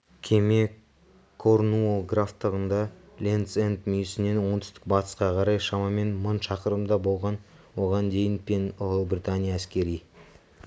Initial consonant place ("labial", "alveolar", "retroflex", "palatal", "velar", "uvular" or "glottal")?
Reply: velar